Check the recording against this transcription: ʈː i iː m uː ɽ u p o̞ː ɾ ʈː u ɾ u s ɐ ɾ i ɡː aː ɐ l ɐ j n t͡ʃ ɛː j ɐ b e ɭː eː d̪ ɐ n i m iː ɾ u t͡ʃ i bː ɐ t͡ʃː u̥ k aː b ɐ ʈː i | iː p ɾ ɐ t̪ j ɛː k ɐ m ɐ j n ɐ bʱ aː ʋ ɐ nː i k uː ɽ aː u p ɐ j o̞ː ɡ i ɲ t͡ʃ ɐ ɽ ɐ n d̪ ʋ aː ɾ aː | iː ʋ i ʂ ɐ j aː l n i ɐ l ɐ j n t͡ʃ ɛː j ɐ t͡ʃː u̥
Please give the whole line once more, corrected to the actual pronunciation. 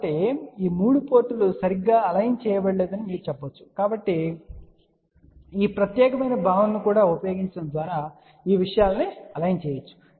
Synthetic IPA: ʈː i iː m uː ɽ u p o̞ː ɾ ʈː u l u s ɐ ɾ i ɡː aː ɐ l ɐ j n t͡ʃ ɛː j ɐ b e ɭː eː d̪ ɐ n i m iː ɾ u t͡ʃ ɛ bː ɐ t͡ʃː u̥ k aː b ɐ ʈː i | iː p ɾ ɐ t̪ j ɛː k ɐ m ɐ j n ɐ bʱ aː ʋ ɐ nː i k uː ɽ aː u p ɐ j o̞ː ɡ i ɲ t͡ʃ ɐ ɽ ɐ n d̪ ʋ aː ɾ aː | iː ʋ i ʂ ɐ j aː l n i ɐ l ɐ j n t͡ʃ ɛː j ɐ t͡ʃː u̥